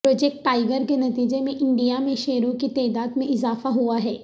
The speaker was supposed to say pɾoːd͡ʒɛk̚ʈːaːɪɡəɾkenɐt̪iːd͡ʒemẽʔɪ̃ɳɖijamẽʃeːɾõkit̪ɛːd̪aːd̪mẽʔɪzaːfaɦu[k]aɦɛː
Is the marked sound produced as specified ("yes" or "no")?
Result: no